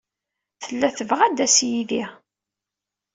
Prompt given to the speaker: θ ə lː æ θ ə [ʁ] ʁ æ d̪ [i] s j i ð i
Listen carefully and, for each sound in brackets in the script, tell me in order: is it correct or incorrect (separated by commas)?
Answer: incorrect, incorrect